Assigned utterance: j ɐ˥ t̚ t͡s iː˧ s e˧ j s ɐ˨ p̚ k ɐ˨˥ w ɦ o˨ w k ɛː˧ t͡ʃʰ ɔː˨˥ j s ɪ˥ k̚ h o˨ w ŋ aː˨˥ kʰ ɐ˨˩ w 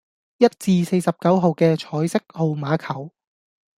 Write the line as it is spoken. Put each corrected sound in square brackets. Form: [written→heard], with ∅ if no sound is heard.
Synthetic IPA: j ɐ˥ t̚ t͡s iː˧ s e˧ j s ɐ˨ p̚ k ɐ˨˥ w ɦ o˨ w k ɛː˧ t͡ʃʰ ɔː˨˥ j s ɪ˥ k̚ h o˨ w [ŋ→m] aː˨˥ kʰ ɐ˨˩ w